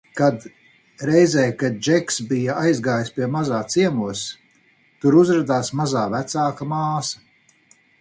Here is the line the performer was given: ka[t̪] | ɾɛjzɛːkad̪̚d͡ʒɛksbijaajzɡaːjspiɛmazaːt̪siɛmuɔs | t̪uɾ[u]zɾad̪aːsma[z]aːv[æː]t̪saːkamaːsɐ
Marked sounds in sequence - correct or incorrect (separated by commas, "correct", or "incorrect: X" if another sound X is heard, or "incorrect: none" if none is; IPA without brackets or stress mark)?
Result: incorrect: d̪, correct, correct, incorrect: æ